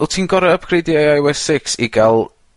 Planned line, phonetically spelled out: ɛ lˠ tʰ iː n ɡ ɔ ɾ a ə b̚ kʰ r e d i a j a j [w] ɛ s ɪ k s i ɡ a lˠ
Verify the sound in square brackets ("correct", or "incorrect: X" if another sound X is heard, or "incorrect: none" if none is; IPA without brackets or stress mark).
correct